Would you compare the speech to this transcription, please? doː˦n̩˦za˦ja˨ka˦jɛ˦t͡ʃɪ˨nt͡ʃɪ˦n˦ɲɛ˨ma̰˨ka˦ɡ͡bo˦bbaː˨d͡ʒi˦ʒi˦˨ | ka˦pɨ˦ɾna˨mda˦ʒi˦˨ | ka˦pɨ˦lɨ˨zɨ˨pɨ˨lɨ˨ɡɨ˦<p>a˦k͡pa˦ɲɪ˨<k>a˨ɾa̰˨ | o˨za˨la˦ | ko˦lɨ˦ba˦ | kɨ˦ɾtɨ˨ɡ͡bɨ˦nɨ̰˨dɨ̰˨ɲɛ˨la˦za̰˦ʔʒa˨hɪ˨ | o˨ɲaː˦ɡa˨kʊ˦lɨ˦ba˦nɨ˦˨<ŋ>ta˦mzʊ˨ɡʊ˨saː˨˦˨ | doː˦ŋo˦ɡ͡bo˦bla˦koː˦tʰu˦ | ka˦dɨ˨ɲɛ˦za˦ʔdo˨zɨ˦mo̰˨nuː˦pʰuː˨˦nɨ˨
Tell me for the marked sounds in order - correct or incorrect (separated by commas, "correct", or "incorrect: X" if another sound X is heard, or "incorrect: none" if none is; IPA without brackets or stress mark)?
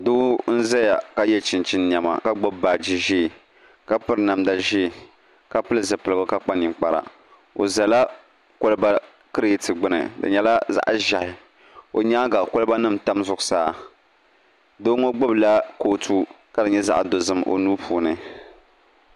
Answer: incorrect: k, incorrect: k͡p, incorrect: m